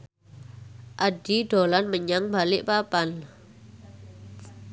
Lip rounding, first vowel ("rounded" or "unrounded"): unrounded